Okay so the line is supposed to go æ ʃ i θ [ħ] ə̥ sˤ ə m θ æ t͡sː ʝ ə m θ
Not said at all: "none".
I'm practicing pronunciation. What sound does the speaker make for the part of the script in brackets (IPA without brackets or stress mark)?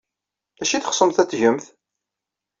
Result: χ